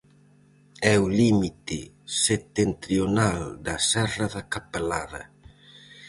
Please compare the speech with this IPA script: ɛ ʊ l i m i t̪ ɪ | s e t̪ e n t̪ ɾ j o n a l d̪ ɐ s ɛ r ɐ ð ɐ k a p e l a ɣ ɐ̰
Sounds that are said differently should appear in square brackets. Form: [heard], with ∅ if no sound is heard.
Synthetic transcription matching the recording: ɛ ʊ l i m i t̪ ɪ | s e t̪ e n t̪ ɾ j o n a l d̪ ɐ s ɛ r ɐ ð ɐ k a p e l a [ð] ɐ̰